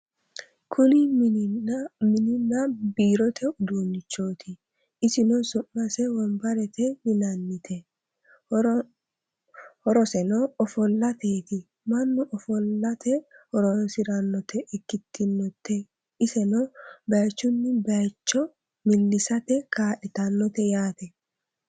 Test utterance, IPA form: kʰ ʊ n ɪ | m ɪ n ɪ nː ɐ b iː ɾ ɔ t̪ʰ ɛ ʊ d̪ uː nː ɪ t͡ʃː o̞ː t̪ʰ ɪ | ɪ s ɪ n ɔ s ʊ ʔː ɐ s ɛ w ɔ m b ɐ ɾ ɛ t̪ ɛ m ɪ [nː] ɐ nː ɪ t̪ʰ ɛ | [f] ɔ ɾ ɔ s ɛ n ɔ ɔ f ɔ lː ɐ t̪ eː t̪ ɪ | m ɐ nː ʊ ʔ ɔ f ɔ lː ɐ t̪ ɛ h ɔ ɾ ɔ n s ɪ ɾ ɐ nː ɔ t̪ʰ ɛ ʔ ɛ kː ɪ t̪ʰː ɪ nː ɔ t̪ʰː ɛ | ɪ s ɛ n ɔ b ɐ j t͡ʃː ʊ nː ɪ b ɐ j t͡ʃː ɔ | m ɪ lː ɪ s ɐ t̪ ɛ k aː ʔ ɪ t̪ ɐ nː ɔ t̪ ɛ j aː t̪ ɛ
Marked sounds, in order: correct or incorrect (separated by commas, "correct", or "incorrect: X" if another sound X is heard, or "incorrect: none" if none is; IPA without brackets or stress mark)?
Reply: incorrect: n, incorrect: h